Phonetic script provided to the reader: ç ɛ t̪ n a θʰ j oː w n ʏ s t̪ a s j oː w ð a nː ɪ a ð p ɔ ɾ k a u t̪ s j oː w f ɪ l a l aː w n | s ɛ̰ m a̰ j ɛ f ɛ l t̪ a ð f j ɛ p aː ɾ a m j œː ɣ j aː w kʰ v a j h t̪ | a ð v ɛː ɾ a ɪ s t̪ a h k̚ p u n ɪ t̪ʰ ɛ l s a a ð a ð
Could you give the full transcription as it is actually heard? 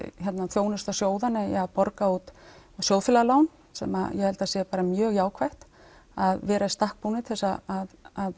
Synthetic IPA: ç ɛ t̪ n a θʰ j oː w n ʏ s t̪ a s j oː w ð a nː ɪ a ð p ɔ ɾ k a u t̪ s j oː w f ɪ l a l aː w n | s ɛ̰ m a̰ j ɛ h ɛ l t̪ a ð s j ɛ p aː ɾ a m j œː ɣ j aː w kʰ v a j h t̪ | a ð v ɛː ɾ a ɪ s t̪ a h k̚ p u n ɪ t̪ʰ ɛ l s a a ð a ð